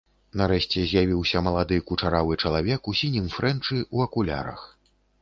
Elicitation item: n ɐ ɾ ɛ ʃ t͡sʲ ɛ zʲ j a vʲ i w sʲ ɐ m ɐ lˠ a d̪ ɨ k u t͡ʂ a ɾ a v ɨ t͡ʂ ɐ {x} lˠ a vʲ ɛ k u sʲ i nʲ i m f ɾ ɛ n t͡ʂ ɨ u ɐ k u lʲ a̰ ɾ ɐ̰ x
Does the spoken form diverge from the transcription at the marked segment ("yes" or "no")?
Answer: yes